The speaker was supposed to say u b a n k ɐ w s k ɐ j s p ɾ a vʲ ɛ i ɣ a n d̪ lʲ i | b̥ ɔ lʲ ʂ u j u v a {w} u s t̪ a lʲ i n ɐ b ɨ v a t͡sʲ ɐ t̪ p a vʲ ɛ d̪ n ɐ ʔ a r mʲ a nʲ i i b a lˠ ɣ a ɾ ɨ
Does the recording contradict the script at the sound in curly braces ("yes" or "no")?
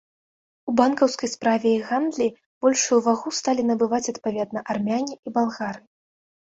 yes